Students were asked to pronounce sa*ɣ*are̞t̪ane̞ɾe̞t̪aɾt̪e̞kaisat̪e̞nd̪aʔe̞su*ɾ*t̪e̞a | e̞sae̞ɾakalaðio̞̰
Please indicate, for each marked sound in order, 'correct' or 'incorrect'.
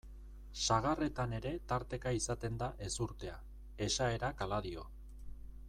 correct, correct

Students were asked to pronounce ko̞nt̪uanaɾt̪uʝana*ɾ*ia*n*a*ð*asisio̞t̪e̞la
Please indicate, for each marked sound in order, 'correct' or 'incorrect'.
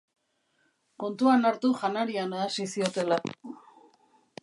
correct, correct, correct

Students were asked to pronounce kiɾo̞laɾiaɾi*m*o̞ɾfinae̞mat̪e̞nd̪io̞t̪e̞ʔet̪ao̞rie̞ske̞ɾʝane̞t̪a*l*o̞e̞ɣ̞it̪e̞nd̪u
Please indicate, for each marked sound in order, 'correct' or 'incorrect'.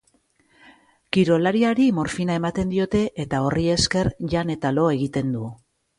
correct, correct

